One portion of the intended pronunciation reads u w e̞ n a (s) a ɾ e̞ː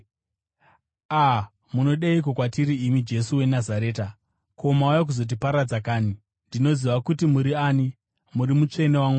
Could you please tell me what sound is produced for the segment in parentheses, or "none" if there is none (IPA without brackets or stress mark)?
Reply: z